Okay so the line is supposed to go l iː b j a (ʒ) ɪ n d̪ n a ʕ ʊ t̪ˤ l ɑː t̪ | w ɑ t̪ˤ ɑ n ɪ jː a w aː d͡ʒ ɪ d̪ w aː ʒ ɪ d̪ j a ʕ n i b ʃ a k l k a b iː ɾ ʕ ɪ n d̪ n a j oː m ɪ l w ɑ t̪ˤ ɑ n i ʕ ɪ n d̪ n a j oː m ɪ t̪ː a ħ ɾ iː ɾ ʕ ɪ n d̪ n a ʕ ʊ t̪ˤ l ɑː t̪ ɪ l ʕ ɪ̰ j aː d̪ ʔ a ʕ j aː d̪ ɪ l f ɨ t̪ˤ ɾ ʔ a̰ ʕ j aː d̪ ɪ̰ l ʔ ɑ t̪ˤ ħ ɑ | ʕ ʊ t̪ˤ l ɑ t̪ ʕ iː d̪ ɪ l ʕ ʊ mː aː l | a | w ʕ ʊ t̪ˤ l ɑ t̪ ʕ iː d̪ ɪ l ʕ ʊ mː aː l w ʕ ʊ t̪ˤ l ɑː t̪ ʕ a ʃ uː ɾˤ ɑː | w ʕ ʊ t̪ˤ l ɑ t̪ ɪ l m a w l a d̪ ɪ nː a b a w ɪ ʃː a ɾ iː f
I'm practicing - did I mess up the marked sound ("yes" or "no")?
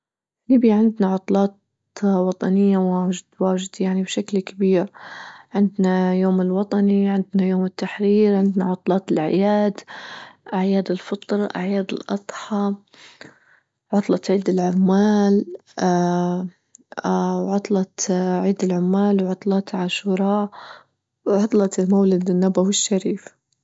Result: yes